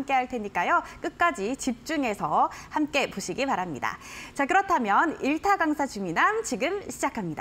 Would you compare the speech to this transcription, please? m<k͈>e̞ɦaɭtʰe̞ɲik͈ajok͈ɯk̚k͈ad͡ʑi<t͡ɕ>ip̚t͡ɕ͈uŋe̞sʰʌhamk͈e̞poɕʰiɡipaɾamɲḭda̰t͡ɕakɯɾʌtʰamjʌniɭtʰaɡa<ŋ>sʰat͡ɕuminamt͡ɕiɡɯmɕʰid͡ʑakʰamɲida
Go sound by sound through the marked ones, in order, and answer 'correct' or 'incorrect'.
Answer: correct, correct, correct

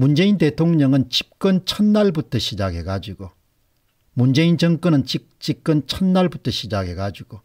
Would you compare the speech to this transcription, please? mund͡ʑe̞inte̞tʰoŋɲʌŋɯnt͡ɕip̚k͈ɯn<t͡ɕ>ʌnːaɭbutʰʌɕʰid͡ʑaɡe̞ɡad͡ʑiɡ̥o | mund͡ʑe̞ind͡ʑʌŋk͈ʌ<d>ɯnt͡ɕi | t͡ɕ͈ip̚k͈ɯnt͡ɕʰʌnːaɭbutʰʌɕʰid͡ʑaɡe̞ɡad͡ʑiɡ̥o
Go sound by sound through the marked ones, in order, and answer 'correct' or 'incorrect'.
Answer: incorrect, incorrect

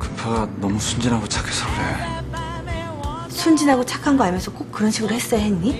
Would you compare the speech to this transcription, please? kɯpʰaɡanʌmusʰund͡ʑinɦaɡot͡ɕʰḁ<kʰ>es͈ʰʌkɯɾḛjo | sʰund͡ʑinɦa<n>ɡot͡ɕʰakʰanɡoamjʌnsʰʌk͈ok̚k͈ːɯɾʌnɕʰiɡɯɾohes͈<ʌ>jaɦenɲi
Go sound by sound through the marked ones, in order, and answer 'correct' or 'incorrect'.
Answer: correct, incorrect, correct

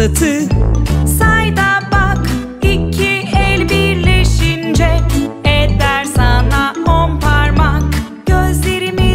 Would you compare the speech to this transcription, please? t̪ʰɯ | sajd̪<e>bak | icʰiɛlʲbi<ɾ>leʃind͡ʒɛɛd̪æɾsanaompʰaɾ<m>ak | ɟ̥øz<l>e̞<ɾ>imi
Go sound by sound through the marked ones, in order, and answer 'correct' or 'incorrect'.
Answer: incorrect, correct, correct, correct, correct

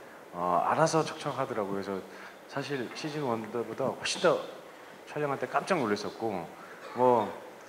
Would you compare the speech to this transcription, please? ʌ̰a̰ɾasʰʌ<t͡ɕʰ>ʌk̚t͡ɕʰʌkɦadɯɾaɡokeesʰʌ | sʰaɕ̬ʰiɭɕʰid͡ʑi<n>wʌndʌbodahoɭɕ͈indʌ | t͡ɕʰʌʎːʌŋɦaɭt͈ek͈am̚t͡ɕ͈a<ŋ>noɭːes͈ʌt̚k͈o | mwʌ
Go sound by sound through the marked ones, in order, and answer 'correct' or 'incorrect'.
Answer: correct, correct, correct

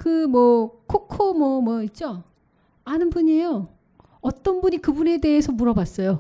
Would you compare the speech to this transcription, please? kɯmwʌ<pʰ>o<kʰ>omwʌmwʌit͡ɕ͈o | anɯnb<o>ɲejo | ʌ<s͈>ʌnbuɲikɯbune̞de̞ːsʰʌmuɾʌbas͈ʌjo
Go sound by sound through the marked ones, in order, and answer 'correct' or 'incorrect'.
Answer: incorrect, correct, incorrect, incorrect

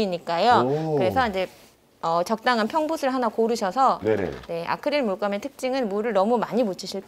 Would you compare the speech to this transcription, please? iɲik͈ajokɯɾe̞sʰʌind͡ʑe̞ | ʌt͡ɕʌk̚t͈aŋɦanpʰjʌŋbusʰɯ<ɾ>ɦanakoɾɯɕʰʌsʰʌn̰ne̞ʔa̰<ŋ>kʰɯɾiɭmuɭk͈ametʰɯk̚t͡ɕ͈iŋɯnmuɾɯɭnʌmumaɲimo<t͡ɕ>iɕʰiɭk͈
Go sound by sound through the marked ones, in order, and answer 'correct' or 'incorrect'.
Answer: incorrect, incorrect, incorrect

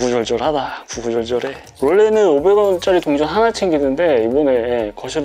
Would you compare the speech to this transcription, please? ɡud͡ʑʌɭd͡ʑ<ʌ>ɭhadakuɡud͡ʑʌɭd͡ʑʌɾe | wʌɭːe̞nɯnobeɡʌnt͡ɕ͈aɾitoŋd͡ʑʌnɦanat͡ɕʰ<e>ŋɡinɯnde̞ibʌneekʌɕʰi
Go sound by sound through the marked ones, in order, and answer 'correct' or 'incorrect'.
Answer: correct, correct

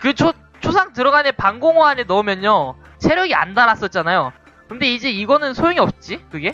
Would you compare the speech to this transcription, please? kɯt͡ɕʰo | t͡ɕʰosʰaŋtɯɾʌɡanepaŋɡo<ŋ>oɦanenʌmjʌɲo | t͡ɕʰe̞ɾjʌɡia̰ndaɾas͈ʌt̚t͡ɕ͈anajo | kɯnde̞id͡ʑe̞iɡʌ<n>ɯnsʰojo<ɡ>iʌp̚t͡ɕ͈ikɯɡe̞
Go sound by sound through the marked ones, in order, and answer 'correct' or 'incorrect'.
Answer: correct, correct, incorrect

